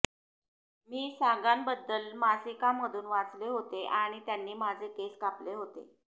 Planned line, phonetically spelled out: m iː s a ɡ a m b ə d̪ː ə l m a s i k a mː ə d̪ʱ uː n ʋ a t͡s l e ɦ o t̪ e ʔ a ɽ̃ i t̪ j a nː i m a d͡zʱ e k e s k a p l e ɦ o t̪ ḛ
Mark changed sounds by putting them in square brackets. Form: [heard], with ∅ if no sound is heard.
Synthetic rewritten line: m iː s a ɡ a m b ə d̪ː ə l m a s i k a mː ə d̪ʱ uː n ʋ a t͡s l e ɦ o t̪ e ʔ a ɽ̃ i t̪ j a nː [iː] m a d͡zʱ e k e s k a p l e ɦ o t̪ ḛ